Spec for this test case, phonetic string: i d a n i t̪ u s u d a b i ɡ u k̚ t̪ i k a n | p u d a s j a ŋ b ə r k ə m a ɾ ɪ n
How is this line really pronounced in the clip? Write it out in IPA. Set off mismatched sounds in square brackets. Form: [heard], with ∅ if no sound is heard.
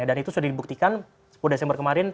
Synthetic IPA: [a] d a n i t̪ u s u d a [d] i [b] u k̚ t̪ i k a n | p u d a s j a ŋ b ə r k ə m a ɾ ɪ n